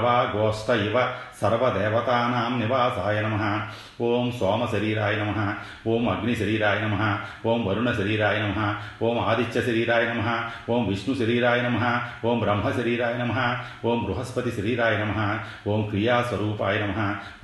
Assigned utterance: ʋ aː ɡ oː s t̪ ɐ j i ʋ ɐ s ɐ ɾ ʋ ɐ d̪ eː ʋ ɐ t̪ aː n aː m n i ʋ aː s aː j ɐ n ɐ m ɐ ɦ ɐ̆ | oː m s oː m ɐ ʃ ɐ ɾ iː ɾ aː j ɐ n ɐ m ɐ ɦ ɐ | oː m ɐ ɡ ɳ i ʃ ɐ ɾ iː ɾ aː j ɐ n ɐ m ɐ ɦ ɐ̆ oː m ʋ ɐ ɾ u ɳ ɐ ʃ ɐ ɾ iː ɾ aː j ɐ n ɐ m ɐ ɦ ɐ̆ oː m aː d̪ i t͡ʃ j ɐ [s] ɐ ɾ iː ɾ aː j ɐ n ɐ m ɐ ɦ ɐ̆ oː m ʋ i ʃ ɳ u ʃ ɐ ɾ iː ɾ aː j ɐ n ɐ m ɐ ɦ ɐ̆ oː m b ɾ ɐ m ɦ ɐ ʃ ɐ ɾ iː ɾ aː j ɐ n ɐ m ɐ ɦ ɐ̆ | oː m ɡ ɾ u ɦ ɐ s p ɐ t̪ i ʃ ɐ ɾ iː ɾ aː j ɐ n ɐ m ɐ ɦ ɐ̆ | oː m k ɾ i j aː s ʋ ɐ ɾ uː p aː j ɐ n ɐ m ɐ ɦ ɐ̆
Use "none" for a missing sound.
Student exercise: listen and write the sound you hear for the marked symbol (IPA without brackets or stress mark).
ʃ